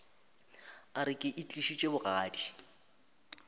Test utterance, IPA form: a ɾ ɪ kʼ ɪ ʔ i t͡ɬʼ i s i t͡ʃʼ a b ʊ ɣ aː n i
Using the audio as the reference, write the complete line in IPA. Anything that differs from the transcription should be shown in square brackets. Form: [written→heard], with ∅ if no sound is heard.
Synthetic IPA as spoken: a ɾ ɪ kʼ ɪ ʔ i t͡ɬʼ i [s→ʃ] i t͡ʃʼ [a→e] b ʊ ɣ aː [n→d] i